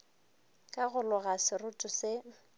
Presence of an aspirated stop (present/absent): absent